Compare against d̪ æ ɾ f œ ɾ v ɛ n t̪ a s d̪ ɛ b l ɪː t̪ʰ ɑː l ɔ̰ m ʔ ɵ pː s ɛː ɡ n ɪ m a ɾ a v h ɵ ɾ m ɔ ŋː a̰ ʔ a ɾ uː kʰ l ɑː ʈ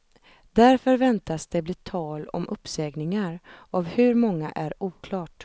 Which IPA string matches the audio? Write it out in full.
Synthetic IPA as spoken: d̪ æ ɾ f œ ɾ v ɛ n t̪ a s d̪ ɛ b l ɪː t̪ʰ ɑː l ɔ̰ m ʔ ɵ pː s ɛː ɡ n ɪ ŋ a ɾ a v h ɵ ɾ m ɔ ŋː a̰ ʔ æ ɾ uː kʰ l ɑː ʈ